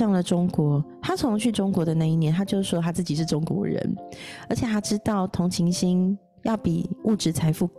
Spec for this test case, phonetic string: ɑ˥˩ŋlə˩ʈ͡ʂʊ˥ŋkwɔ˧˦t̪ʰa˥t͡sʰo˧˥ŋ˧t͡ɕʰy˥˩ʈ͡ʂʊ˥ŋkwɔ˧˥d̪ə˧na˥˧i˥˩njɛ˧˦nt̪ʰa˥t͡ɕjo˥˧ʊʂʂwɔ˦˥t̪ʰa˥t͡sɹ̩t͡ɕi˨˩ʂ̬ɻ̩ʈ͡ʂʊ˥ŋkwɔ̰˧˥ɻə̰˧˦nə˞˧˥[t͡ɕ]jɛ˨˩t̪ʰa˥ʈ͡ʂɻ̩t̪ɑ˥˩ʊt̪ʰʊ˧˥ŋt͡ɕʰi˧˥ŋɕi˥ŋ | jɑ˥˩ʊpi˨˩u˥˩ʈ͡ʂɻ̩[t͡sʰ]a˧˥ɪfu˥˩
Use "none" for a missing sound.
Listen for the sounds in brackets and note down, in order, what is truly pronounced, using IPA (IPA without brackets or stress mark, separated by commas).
t͡ɕʰ, t͡sʰ